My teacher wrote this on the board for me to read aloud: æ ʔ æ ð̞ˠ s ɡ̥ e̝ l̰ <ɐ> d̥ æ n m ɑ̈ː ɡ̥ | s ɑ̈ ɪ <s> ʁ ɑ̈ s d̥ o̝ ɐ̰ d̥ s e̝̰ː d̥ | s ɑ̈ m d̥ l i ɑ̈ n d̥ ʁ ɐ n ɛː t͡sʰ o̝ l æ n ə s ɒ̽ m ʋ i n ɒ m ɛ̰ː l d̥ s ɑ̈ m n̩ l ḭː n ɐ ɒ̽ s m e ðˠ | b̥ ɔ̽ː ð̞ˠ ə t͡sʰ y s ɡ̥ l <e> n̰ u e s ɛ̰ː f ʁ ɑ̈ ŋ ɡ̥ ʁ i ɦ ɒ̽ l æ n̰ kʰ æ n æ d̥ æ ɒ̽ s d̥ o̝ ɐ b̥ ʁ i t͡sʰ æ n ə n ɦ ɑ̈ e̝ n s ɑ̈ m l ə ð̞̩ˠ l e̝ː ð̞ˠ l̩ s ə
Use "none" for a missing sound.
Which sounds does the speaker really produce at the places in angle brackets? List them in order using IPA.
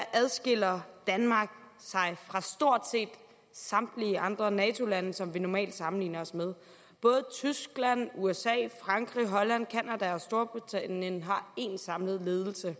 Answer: ɐ, f, æ

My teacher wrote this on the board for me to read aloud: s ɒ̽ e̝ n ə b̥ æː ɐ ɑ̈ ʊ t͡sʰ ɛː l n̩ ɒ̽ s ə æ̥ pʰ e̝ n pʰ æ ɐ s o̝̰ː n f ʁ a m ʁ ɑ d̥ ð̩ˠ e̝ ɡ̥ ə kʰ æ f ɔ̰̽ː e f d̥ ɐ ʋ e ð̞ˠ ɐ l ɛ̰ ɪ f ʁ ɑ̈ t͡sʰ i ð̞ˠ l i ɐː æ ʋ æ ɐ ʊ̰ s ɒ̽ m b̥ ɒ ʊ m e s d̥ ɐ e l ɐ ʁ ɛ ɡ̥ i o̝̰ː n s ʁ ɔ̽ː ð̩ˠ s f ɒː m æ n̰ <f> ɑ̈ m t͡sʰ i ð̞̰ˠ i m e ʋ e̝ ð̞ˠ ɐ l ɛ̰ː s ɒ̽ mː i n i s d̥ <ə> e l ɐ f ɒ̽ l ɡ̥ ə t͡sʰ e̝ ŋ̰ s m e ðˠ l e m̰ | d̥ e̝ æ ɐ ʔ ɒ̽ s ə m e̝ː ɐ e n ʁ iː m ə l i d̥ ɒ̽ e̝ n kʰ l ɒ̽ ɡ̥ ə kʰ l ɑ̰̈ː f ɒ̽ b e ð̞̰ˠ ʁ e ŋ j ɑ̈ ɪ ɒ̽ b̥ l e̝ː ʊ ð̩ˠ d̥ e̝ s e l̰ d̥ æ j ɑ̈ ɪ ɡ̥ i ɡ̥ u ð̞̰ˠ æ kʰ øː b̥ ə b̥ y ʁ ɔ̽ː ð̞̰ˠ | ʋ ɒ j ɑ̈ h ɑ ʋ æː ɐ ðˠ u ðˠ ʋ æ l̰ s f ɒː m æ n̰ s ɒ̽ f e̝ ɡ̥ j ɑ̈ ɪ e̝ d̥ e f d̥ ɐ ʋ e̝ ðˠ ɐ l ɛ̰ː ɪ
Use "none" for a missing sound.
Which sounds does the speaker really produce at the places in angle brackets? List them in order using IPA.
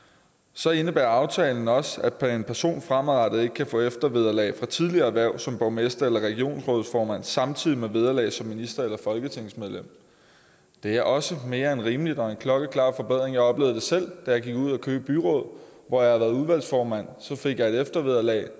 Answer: s, ɐ

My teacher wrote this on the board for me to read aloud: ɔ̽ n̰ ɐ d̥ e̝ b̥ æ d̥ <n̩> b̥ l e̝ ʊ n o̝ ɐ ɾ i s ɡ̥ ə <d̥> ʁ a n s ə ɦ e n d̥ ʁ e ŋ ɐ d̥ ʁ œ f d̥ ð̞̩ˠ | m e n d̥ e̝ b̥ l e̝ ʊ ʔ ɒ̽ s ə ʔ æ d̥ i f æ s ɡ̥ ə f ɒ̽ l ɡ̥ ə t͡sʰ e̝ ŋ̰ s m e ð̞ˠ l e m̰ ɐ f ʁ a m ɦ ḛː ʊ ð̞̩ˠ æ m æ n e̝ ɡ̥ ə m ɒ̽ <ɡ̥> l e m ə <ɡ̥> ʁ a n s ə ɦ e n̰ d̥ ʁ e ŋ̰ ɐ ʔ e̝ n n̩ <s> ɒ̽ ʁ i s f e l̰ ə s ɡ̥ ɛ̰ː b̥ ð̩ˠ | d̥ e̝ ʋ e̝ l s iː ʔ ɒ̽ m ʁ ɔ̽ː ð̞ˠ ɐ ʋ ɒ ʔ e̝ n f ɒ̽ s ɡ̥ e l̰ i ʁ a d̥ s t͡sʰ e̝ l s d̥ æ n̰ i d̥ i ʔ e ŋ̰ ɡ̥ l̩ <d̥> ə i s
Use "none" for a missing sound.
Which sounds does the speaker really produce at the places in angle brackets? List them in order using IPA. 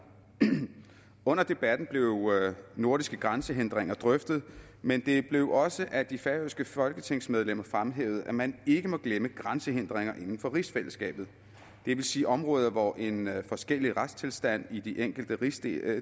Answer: n̩, ɡ̥, ɡ̥, ɡ̥, f, d̥

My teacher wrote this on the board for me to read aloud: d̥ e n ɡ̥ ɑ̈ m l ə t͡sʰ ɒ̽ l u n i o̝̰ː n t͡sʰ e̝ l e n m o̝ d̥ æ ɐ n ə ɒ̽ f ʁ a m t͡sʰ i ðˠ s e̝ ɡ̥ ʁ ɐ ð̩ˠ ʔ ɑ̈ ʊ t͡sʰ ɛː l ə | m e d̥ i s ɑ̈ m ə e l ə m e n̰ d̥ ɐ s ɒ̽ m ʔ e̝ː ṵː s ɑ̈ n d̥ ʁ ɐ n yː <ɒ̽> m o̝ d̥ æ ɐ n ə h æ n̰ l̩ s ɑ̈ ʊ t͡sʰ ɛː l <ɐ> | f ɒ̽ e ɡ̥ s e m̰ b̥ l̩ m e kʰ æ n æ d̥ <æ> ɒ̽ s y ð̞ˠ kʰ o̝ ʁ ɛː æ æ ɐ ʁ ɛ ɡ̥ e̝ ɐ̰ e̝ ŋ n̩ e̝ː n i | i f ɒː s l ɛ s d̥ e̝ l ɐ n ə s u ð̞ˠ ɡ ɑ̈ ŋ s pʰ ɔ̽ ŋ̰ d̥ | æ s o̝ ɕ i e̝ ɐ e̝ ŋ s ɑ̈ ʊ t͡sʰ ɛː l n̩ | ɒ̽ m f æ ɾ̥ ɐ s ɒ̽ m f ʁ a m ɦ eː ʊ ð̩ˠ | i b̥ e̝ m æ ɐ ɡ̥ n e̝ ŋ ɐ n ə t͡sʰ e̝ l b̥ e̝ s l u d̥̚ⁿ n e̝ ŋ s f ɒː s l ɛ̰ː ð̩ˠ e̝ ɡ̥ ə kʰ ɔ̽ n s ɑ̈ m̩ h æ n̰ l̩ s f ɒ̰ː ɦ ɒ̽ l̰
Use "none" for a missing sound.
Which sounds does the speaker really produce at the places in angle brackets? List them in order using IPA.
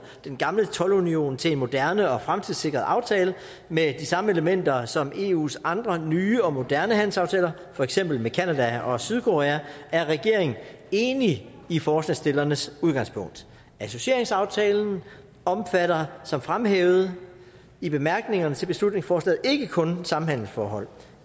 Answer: ɒ̽, ɐ, æ

